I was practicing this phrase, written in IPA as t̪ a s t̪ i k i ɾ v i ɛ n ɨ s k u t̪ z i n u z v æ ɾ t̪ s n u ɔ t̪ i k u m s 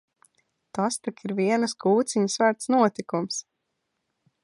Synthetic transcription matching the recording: t̪ a s t̪ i k i ɾ v i ɛ n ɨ s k uː t̪ s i ɲ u s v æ ɾ t̪ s n u ɔ t̪ i k u m s